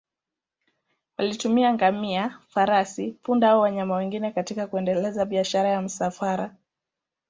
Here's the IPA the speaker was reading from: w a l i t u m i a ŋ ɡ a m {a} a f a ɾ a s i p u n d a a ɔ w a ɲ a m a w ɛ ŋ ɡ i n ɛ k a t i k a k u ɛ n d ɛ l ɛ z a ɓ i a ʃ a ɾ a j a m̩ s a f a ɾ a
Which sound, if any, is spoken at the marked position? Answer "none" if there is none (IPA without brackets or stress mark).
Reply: i